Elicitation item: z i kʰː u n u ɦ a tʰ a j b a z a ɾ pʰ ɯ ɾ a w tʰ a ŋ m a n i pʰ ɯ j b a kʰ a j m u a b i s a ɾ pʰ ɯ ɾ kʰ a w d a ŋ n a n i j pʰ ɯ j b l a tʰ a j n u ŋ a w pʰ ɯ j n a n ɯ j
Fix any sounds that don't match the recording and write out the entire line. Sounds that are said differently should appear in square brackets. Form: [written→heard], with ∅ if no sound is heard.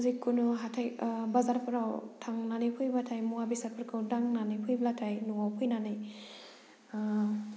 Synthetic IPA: z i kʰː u n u ɦ a tʰ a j b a z a ɾ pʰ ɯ ɾ a w tʰ a ŋ [m→n] a n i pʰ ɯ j b a [kʰ→tʰ] a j m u a b i s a ɾ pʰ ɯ ɾ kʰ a w d a ŋ n a n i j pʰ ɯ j b l a tʰ a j n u ŋ a w pʰ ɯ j n a n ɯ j